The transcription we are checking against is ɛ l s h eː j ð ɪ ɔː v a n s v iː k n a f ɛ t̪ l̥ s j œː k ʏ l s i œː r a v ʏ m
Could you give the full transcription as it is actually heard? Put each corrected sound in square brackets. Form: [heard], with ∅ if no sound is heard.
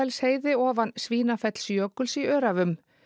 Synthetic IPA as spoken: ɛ l s h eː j ð ɪ ɔː v a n s v iː [∅] n a f ɛ t̪ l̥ s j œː k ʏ l s i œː [ɾ] a v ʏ m

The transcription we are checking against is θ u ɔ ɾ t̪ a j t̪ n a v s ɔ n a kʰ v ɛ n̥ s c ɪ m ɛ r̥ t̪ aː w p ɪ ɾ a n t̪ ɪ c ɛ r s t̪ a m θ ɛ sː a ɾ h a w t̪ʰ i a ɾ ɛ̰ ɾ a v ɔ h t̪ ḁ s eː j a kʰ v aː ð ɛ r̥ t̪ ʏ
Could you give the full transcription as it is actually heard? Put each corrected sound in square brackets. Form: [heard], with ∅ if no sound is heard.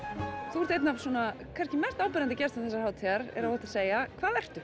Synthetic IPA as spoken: θ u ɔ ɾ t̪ [e] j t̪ n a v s ɔ n a kʰ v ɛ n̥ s c ɪ m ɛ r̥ t̪ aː w p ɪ ɾ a n t̪ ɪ c ɛ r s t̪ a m θ ɛ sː a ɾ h a w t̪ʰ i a ɾ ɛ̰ ɾ a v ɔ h t̪ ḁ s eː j a kʰ v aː ð ɛ r̥ t̪ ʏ

